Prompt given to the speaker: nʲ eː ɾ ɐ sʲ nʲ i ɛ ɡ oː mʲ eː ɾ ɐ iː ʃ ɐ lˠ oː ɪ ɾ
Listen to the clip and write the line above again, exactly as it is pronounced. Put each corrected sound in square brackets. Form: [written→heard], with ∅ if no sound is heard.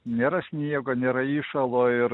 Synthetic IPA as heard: nʲ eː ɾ ɐ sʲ nʲ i ɛ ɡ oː [mʲ→nʲ] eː ɾ ɐ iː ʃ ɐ lˠ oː ɪ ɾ

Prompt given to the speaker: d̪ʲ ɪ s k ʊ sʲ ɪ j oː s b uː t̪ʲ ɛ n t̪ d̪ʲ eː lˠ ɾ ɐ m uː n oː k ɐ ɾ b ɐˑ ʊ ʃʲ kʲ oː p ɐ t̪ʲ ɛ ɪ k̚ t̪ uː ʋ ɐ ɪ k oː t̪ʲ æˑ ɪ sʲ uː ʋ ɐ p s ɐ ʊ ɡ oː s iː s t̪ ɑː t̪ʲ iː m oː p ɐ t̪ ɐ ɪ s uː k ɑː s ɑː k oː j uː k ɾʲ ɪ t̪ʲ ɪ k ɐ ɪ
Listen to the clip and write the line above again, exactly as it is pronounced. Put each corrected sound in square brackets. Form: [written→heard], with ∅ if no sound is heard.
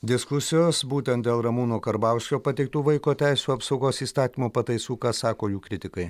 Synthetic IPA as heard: d̪ʲ ɪ s k ʊ sʲ ɪ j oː s b uː t̪ʲ ɛ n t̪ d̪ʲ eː lˠ ɾ ɐ m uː n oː k ɐ ɾ b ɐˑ ʊ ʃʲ kʲ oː p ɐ t̪ʲ ɛ ɪ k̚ t̪ uː ʋ ɐ ɪ k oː t̪ʲ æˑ ɪ sʲ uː [ʋ→∅] ɐ p s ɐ ʊ ɡ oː s iː s t̪ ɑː t̪ʲ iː m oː p ɐ t̪ ɐ ɪ s uː k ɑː s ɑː k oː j uː k ɾʲ ɪ t̪ʲ ɪ k ɐ ɪ

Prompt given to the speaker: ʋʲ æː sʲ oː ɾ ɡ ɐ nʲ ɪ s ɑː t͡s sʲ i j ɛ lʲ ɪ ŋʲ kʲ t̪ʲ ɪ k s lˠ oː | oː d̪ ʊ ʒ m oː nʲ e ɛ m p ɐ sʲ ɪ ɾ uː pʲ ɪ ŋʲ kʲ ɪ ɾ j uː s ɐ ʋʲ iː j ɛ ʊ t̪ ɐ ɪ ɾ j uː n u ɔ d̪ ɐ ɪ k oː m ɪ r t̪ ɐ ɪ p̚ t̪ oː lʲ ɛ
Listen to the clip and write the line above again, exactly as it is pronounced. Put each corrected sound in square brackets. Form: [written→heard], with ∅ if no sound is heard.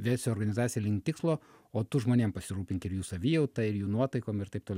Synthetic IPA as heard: ʋʲ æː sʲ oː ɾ ɡ ɐ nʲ ɪ [s→z] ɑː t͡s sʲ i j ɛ lʲ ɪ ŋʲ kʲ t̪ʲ ɪ k s lˠ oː | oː [d̪→t̪] ʊ ʒ m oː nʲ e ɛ m p ɐ sʲ ɪ ɾ uː pʲ ɪ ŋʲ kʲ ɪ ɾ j uː s ɐ ʋʲ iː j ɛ ʊ t̪ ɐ ɪ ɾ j uː n u ɔ [d̪→t̪] ɐ ɪ k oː m ɪ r t̪ ɐ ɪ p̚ t̪ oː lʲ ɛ

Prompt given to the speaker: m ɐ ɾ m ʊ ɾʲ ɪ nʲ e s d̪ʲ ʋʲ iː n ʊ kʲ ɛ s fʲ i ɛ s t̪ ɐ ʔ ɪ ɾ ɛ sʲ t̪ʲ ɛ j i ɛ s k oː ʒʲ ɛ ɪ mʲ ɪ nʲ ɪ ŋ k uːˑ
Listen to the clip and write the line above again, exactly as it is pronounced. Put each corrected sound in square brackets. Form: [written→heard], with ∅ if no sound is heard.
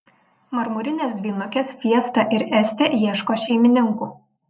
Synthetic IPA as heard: m ɐ ɾ m ʊ ɾʲ ɪ nʲ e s d̪ʲ ʋʲ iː n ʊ kʲ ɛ s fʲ i ɛ s t̪ ɐ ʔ ɪ ɾ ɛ sʲ t̪ʲ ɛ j i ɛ [s→ʃ] k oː [ʒʲ→ʃʲ] ɛ ɪ mʲ ɪ nʲ ɪ ŋ k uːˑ

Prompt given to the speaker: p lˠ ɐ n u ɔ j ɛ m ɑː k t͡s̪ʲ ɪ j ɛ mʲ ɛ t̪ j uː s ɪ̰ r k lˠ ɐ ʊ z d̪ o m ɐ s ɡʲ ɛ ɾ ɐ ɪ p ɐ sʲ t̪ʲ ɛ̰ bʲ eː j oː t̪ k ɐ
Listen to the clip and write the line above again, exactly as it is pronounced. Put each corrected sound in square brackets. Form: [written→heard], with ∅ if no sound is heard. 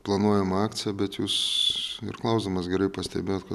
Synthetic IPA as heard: p lˠ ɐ n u ɔ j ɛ m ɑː k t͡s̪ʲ ɪ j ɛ [mʲ→bʲ] ɛ t̪ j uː s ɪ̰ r k lˠ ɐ ʊ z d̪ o m ɐ s ɡʲ ɛ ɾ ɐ ɪ p ɐ sʲ t̪ʲ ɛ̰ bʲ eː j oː t̪ k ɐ

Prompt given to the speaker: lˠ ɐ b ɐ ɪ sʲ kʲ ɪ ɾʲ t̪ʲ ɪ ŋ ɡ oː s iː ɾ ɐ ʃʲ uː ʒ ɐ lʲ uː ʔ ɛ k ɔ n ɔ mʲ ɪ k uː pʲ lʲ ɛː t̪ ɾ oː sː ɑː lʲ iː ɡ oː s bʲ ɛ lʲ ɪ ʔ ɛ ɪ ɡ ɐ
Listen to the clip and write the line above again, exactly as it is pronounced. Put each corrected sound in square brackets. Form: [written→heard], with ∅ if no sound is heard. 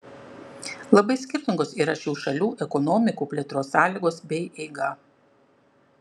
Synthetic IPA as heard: lˠ ɐ b ɐ ɪ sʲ kʲ ɪ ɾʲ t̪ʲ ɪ ŋ ɡ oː s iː ɾ ɐ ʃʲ uː [ʒ→ʃ] ɐ lʲ uː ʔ ɛ k ɔ n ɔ mʲ ɪ k uː pʲ lʲ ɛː t̪ ɾ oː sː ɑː lʲ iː ɡ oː s bʲ ɛ [lʲ→∅] ɪ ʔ ɛ ɪ ɡ ɐ

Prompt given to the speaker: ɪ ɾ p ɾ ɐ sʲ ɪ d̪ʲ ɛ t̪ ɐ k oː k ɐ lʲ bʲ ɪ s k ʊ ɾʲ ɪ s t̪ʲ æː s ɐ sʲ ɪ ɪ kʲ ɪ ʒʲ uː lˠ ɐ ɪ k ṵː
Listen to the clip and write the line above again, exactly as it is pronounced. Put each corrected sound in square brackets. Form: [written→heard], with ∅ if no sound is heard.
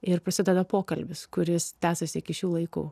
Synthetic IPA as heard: ɪ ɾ p ɾ ɐ sʲ ɪ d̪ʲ ɛ [t̪→d̪] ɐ [k→p] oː k ɐ lʲ bʲ ɪ s k ʊ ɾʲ ɪ s t̪ʲ æː s ɐ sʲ ɪ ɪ kʲ ɪ [ʒʲ→ʃʲ] uː lˠ ɐ ɪ k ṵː

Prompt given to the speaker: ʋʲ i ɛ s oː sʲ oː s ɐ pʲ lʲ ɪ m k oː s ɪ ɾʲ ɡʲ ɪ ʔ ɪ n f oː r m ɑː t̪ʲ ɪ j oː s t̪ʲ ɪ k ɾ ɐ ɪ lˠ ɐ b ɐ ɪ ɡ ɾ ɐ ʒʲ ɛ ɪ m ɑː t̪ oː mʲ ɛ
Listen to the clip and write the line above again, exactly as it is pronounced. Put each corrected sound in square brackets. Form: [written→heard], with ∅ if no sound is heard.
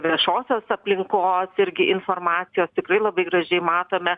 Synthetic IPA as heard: ʋʲ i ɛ [s→ʃ] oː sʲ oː s ɐ pʲ lʲ ɪ [m→ŋ] k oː s ɪ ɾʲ ɡʲ ɪ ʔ ɪ n f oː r m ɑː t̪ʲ ɪ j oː s t̪ʲ ɪ k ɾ ɐ ɪ lˠ ɐ b ɐ ɪ ɡ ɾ ɐ ʒʲ ɛ ɪ m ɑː t̪ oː mʲ ɛ

